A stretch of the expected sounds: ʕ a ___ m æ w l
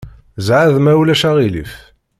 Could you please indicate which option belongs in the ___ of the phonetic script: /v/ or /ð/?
ð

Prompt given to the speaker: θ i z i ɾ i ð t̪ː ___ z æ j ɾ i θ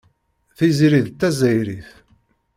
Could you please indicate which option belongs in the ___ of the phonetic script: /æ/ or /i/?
æ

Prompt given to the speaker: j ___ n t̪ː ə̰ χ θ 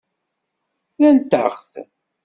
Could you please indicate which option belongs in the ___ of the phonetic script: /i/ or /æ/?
æ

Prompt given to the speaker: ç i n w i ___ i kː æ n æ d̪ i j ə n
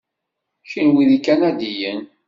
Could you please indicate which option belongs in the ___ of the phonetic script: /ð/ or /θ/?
ð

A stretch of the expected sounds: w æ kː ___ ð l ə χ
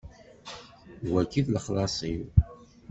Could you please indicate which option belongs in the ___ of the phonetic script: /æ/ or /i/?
i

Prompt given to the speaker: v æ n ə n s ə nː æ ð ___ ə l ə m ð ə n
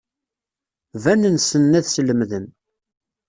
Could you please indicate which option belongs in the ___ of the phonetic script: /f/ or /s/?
s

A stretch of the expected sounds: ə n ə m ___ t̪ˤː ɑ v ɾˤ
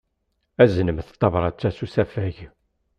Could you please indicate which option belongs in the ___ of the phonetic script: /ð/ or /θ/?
θ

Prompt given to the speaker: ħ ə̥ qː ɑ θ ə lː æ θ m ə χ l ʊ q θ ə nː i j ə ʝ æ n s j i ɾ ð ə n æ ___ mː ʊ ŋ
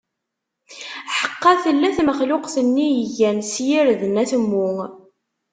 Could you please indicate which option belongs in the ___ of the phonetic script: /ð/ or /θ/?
θ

